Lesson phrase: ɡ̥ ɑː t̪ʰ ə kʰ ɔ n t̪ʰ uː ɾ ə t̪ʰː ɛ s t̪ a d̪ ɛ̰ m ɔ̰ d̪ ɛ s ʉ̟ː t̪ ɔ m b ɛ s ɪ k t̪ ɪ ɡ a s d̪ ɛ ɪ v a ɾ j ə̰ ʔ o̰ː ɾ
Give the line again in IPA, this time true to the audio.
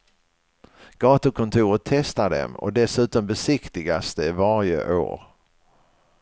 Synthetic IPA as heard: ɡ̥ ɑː t̪ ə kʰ ɔ n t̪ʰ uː ɾ ə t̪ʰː ɛ s t̪ a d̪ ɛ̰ m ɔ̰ d̪ ɛ s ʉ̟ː t̪ ɔ m b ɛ s ɪ k t̪ ɪ ɡ a s d̪ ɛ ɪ v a ɾ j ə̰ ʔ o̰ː ɾ